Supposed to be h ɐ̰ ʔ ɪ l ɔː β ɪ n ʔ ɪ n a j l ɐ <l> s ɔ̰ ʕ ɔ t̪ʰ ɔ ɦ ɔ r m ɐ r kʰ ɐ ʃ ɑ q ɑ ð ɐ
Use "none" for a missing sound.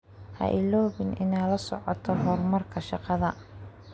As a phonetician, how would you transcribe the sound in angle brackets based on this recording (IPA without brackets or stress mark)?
none